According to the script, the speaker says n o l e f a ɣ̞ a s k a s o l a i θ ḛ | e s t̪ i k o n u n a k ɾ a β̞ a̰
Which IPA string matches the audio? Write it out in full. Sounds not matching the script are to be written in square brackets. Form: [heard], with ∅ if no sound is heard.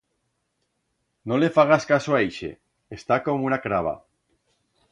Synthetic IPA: n o l e f a ɣ̞ a s k a s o [∅] a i [ʃ] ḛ | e s t̪ [a] k o [m] u n a k ɾ a β̞ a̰